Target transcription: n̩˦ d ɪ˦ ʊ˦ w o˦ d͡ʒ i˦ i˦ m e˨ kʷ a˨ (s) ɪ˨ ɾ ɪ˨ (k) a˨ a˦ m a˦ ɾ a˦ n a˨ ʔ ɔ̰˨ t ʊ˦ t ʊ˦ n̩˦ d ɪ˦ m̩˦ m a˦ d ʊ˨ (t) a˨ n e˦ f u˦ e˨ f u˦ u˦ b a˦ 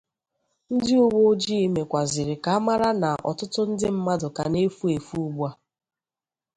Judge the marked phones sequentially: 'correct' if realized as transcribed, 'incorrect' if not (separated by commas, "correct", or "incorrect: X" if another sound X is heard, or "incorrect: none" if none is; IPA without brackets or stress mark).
incorrect: z, correct, incorrect: k